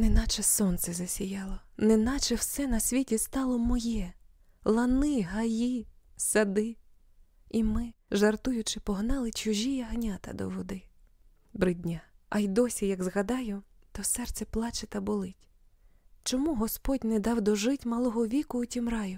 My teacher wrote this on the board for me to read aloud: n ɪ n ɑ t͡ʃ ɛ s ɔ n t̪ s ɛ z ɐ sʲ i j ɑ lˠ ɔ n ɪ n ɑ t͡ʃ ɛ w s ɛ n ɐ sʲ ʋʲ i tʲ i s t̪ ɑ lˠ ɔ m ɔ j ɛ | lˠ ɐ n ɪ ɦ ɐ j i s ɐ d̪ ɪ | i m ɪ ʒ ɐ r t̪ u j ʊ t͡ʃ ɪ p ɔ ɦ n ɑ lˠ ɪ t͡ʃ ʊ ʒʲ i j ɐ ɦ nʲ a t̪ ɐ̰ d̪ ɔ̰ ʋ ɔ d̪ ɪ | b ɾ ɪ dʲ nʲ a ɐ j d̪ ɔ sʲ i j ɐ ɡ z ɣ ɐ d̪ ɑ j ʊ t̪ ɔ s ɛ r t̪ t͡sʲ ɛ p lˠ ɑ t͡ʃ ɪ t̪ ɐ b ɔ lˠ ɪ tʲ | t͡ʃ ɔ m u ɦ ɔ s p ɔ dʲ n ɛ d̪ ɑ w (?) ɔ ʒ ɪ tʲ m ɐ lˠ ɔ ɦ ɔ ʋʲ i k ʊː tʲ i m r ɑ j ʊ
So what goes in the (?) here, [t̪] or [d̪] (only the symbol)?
d̪